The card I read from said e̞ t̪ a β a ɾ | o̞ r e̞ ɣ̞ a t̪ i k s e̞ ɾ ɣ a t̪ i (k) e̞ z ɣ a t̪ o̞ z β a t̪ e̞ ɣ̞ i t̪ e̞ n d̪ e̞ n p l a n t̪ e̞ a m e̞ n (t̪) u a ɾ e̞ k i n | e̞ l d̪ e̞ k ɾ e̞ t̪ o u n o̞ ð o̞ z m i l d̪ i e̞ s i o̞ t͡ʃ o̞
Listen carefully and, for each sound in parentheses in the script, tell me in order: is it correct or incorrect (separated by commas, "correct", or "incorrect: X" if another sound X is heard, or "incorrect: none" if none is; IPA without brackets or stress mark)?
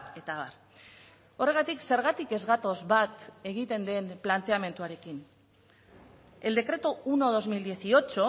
correct, correct